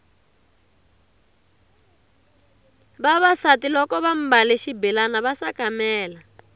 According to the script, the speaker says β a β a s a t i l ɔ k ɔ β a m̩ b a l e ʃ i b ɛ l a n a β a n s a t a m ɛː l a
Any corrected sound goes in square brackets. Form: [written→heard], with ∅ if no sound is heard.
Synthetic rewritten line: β a β a s a t i l ɔ k ɔ β a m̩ b a l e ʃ i b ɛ l a n a β a [n→∅] s a [t→k] a m ɛː l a